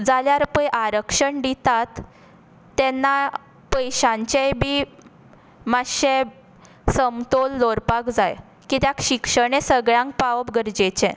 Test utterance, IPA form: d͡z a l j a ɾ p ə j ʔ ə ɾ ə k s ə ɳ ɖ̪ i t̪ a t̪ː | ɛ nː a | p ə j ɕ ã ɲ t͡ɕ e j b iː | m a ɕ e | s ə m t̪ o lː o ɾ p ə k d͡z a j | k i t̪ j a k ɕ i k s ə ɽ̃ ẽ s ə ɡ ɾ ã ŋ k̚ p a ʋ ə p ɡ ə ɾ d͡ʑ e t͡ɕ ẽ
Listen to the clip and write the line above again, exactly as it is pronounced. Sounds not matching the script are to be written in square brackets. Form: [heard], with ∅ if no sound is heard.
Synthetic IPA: d͡z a l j a ɾ p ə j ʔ [a] ɾ ə k [ʂ] ə ɳ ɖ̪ i t̪ a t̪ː | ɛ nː a | p ə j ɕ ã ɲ t͡ɕ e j b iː | m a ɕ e | s ə m t̪ o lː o ɾ p [a] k d͡z a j | k i t̪ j a k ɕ i k [ʂ] ə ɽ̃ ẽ s ə ɡ [ɭ] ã ŋ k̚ p a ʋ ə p ɡ ə ɾ d͡ʑ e t͡ɕ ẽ